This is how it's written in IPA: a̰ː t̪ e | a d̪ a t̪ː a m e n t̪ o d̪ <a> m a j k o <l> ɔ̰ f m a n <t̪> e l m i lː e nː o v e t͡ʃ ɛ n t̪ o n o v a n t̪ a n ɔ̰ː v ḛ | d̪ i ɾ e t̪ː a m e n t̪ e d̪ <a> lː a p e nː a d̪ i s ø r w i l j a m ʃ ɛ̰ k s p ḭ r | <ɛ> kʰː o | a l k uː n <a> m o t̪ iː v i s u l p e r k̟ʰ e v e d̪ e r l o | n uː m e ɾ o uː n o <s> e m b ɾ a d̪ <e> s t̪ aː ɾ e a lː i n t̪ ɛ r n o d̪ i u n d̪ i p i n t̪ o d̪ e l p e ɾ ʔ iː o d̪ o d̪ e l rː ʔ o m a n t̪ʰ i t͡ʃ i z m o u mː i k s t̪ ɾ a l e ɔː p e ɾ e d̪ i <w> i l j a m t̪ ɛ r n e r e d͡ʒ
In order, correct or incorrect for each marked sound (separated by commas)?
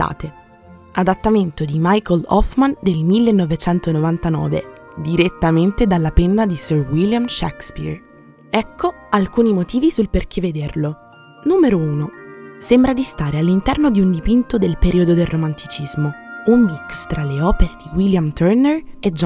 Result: incorrect, correct, incorrect, correct, correct, incorrect, correct, incorrect, correct